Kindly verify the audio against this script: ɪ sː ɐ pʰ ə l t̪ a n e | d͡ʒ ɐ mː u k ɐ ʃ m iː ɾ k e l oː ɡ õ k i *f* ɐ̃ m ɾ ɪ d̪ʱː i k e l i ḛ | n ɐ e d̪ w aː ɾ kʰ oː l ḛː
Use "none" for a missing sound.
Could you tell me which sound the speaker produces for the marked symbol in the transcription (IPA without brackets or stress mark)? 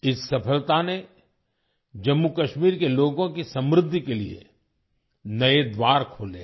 s